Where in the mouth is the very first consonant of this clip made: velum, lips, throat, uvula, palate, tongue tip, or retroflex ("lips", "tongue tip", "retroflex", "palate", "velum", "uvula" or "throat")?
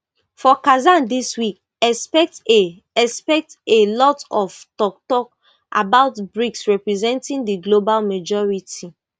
lips